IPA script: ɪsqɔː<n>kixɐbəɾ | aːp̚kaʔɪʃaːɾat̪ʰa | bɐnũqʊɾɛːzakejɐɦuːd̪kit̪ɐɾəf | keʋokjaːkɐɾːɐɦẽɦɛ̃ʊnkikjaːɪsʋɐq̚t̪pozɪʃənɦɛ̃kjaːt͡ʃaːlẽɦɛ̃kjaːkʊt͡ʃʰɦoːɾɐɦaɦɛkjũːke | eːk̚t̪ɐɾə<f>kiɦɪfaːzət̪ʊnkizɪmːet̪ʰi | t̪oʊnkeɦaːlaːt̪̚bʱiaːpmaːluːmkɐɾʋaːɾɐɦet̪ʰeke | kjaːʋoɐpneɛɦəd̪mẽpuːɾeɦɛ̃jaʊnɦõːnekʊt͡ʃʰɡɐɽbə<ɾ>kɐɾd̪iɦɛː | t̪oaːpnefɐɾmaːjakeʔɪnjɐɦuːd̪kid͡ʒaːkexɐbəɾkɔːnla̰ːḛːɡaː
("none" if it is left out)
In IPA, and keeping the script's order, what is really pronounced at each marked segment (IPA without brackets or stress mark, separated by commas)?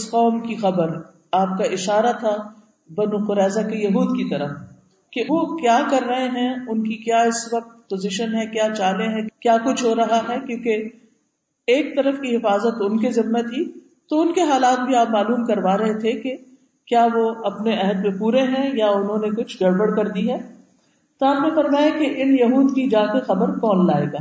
m, f, ɽ